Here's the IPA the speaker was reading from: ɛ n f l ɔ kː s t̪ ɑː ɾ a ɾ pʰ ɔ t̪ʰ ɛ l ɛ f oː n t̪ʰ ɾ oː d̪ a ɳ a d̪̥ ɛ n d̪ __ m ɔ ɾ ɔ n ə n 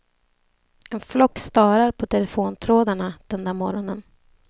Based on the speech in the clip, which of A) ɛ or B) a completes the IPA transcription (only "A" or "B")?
B